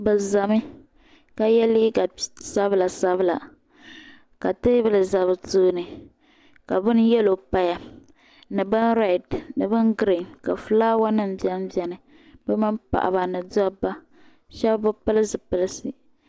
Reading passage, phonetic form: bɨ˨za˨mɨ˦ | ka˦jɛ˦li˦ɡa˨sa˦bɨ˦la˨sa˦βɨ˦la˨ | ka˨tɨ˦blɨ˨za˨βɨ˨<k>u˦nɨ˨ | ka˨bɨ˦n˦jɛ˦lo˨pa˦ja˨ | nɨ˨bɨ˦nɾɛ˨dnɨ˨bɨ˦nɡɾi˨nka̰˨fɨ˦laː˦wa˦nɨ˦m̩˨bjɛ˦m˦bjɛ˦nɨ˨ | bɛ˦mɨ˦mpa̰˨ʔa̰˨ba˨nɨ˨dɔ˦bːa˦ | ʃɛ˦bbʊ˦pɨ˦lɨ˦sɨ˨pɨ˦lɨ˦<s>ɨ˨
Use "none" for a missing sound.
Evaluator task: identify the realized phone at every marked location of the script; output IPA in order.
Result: t, s

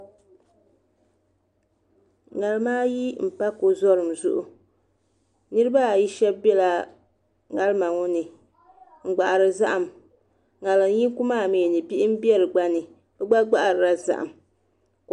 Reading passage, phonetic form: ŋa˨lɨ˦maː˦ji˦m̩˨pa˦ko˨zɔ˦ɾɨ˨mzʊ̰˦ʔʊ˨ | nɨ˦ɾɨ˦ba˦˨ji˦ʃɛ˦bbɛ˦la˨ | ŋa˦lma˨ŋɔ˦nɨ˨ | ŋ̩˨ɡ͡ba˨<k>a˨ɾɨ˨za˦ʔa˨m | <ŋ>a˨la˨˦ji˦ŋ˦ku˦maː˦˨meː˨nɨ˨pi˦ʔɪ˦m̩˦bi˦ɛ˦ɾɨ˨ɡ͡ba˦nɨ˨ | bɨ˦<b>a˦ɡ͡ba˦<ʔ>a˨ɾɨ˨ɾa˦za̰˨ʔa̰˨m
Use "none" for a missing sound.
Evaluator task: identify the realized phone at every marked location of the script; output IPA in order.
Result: ʔ, ŋ, ɡ͡b, ʔ

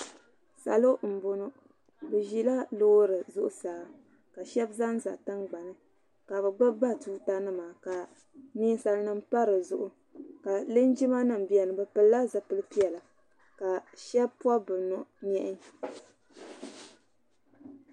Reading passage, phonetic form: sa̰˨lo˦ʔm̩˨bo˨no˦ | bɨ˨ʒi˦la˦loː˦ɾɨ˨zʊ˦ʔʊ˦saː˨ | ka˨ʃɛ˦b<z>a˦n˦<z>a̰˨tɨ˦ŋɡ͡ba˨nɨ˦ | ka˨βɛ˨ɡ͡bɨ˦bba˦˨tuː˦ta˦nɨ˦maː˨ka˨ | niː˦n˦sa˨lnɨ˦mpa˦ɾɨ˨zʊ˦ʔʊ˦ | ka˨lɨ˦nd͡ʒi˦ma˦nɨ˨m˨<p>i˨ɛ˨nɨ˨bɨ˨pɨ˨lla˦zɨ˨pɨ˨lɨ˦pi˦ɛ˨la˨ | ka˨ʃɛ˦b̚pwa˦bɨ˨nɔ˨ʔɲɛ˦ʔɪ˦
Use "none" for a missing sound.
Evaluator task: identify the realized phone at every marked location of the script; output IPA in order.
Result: z, z, b

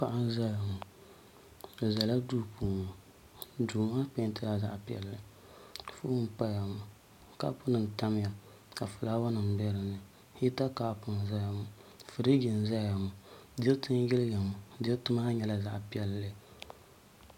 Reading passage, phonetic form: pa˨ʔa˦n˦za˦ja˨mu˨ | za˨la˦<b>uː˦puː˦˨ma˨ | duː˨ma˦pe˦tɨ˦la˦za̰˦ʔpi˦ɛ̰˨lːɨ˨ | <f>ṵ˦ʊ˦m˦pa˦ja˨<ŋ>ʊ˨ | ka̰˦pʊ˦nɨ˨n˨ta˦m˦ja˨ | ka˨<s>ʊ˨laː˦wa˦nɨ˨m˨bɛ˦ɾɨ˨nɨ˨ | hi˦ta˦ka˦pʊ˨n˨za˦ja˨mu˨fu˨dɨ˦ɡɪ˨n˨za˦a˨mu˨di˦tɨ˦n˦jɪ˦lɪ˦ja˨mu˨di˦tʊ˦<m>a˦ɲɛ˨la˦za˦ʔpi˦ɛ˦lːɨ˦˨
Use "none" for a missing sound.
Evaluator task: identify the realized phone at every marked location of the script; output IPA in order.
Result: d, f, m, f, m

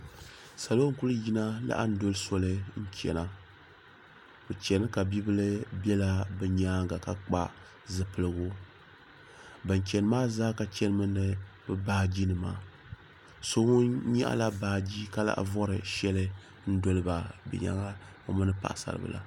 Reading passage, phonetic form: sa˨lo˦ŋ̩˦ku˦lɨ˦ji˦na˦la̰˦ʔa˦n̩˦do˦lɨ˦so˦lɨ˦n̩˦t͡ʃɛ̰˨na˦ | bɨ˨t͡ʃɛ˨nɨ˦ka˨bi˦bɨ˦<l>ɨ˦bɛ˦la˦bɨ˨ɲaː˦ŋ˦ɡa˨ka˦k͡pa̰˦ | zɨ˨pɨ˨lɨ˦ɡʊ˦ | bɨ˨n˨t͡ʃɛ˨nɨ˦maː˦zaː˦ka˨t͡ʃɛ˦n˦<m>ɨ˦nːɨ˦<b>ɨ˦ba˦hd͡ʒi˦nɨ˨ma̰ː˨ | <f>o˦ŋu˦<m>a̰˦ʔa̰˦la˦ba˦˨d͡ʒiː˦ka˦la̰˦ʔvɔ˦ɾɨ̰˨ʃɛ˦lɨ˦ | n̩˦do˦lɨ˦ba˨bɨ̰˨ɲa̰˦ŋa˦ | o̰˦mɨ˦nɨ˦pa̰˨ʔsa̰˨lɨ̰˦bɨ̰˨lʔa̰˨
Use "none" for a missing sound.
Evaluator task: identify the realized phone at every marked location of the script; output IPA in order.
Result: l, m, b, s, ɲ

